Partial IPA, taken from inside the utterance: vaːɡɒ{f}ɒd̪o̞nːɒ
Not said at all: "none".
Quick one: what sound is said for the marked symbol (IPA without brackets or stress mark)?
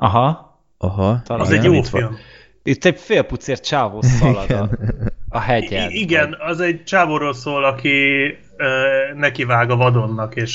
v